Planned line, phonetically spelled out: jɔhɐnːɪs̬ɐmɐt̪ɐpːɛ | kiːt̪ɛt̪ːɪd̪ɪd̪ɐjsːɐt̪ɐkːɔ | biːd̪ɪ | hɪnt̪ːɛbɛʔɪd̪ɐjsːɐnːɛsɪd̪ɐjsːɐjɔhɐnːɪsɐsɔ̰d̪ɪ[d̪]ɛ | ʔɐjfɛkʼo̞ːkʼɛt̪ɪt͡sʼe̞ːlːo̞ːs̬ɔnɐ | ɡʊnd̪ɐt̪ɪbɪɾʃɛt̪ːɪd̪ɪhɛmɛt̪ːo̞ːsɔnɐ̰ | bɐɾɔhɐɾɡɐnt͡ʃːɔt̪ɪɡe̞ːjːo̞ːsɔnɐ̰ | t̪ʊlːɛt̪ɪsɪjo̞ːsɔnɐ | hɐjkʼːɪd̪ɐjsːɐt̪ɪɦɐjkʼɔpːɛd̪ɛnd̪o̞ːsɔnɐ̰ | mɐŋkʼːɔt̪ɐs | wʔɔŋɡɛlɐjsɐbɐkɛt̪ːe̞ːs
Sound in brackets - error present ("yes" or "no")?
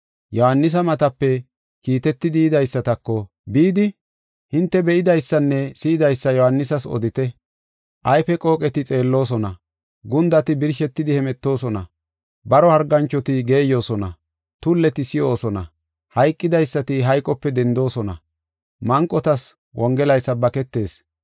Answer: yes